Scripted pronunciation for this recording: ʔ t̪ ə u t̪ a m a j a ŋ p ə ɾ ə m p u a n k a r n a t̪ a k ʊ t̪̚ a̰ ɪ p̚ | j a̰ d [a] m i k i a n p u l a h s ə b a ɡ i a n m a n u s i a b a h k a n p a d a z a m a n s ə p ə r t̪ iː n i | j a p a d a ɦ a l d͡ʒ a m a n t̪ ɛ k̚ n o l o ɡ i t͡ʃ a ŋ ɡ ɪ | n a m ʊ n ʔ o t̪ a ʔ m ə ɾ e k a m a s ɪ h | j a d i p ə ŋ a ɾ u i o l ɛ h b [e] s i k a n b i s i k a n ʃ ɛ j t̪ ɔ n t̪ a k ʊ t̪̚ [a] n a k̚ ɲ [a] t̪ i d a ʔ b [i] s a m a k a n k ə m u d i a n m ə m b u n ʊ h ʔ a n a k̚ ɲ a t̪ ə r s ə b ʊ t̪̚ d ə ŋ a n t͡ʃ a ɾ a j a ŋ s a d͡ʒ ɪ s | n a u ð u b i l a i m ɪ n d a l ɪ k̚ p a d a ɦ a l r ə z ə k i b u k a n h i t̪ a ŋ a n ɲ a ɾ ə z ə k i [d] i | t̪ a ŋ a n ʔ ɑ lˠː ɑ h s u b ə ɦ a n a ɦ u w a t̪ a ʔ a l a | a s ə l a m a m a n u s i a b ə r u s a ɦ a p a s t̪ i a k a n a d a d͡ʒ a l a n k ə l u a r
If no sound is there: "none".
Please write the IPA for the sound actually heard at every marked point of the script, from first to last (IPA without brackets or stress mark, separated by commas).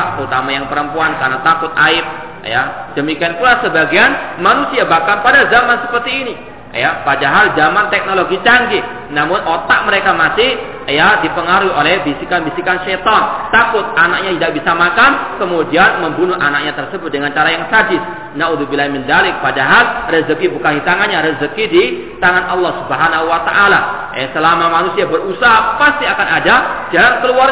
ə, i, a, a, i, d